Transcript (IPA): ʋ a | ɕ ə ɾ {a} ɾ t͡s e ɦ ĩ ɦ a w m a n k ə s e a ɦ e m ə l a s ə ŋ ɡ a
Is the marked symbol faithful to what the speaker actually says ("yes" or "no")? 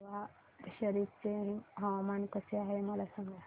no